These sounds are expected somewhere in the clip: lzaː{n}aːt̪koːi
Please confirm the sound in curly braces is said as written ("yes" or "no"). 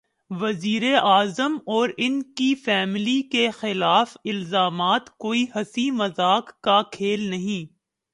no